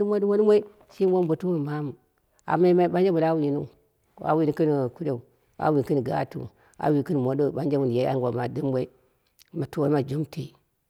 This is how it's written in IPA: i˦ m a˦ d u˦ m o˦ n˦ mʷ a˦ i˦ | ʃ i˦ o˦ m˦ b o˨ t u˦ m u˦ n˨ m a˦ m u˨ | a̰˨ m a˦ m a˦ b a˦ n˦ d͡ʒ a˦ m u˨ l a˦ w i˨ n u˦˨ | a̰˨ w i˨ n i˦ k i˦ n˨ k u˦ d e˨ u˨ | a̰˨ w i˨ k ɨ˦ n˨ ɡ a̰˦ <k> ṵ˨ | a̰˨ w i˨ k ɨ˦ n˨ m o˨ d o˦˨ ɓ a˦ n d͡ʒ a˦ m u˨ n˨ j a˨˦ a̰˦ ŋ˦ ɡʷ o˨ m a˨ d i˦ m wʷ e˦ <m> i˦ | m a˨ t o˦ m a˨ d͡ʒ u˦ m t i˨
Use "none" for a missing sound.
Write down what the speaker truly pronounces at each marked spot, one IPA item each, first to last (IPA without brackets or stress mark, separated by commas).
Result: t, none